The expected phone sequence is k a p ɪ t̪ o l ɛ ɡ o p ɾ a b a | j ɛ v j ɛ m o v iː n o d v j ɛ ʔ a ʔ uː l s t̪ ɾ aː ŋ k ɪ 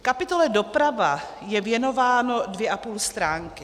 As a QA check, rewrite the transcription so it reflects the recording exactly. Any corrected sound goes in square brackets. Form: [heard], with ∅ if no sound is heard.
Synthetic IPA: k a p ɪ t̪ o l ɛ [d] o p ɾ a [v] a | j ɛ v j ɛ [n] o v [aː] n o d v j ɛ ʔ a [p] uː l s t̪ ɾ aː ŋ k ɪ

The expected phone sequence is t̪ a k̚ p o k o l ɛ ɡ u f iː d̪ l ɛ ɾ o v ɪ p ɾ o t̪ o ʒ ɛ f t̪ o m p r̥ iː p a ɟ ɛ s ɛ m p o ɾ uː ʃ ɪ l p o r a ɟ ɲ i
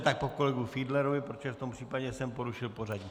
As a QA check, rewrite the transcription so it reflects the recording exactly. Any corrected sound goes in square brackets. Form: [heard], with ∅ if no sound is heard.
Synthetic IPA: t̪ a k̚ p o k o l ɛ ɡ u f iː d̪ l ɛ ɾ o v ɪ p ɾ o t̪ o ʒ ɛ f t̪ o m p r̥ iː p a ɟ ɛ s ɛ m p o ɾ [u] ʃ ɪ l p o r a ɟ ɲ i

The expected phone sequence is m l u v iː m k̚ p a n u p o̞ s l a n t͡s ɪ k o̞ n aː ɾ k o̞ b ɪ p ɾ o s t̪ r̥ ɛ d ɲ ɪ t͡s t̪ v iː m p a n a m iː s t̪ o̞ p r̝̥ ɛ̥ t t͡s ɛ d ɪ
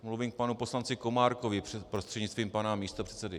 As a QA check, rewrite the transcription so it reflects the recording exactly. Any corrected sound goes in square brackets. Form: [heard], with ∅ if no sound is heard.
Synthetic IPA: m l u v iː m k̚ p a n u p o̞ s l a n t͡s ɪ k o̞ [m] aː ɾ k o̞ [v] ɪ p ɾ o s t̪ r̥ ɛ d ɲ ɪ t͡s t̪ v iː m p a n a m iː s t̪ o̞ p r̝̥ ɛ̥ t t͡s ɛ d ɪ

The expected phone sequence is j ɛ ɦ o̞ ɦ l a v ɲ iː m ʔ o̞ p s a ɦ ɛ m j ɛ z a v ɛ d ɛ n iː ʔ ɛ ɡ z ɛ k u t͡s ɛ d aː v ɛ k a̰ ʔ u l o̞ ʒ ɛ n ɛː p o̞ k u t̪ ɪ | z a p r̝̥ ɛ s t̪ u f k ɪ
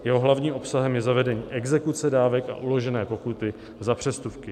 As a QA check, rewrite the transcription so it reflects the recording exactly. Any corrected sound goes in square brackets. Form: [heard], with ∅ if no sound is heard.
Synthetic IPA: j ɛ ɦ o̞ ɦ l a v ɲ iː m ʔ o̞ p s a ɦ ɛ m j ɛ z a v ɛ d ɛ [ɲ] iː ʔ ɛ ɡ z ɛ k u t͡s ɛ d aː v ɛ k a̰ ʔ u l o̞ ʒ ɛ n ɛː p o̞ k u t̪ ɪ | z a p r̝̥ ɛ s t̪ u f k ɪ

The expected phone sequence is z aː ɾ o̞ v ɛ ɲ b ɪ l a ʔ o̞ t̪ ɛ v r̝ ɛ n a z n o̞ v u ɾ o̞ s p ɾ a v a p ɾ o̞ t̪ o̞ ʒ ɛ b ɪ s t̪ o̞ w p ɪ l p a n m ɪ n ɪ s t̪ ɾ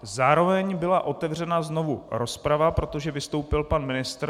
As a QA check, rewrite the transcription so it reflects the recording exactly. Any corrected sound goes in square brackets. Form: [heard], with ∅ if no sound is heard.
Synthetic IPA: z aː ɾ o̞ v ɛ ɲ b ɪ l a ʔ o̞ t̪ ɛ v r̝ ɛ n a z n o̞ v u ɾ o̞ s p ɾ a v a p ɾ o̞ t̪ o̞ ʒ ɛ [v] ɪ s t̪ o̞ w p ɪ l p a n m ɪ n ɪ s t̪ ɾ

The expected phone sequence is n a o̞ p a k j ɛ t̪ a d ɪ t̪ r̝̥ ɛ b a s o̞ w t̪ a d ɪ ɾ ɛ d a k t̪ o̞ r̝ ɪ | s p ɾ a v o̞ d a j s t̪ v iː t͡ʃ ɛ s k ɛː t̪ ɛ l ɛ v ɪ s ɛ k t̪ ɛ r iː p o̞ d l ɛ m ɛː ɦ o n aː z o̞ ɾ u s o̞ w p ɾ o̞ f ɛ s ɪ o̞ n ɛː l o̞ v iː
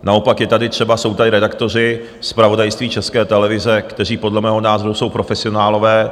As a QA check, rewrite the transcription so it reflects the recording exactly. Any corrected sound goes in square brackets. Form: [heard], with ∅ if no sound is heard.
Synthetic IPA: n a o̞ p a k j ɛ t̪ a d ɪ t̪ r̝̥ ɛ b a s o̞ w t̪ a d ɪ ɾ ɛ d a k t̪ o̞ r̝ ɪ | s p ɾ a v o̞ d a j s t̪ v iː t͡ʃ ɛ s k ɛː t̪ ɛ l ɛ v ɪ [z] ɛ k t̪ ɛ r iː p o̞ d l ɛ m ɛː ɦ o n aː z o̞ ɾ u s o̞ w p ɾ o̞ f ɛ s ɪ o̞ n [aː] l o̞ v [ɛː]

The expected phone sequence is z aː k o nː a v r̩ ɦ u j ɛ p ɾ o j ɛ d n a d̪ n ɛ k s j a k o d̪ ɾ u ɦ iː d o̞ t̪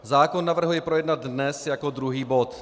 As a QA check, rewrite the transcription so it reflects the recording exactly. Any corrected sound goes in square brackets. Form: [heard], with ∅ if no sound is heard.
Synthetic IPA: z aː k o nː a v r̩ ɦ u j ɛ p ɾ o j ɛ d n a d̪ n ɛ [∅] s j a k o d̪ ɾ u ɦ iː [b] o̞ t̪

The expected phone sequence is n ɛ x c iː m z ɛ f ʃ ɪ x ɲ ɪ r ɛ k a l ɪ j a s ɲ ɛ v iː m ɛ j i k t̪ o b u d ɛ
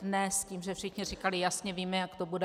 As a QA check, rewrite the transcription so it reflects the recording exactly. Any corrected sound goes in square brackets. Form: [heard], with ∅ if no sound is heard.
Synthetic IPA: n ɛ [s] c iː m [ʒ] ɛ f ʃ ɪ x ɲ ɪ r [i] k a l ɪ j a s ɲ ɛ v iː m ɛ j [a] k t̪ o b u d ɛ

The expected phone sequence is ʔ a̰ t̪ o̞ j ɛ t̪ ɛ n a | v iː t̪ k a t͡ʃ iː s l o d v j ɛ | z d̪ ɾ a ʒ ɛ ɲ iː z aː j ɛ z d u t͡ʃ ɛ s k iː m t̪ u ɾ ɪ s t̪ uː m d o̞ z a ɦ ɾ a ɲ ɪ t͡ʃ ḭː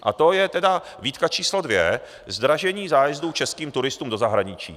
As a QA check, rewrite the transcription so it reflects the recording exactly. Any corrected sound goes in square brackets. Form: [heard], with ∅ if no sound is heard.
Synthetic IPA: ʔ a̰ t̪ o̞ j ɛ t̪ ɛ [d] a | v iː t̪ k a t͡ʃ iː s l o d v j ɛ | z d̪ ɾ a ʒ ɛ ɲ iː z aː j ɛ z d u t͡ʃ ɛ s k iː m t̪ u ɾ ɪ s t̪ uː m d o̞ z a ɦ ɾ a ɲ ɪ t͡ʃ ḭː

